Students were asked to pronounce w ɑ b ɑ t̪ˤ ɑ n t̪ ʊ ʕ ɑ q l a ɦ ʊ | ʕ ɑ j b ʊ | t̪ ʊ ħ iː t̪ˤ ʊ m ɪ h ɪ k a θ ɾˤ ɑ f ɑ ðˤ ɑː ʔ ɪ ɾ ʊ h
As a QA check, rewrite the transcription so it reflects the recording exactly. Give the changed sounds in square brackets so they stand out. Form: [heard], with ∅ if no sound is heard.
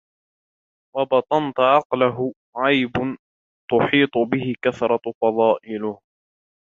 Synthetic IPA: w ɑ b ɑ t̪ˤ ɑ n t̪ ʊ ʕ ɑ q l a ɦ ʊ | ʕ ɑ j b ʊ | t̪ ʊ ħ iː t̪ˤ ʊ [b] ɪ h ɪ k a θ ɾˤ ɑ f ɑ ðˤ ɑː ʔ ɪ [l] ʊ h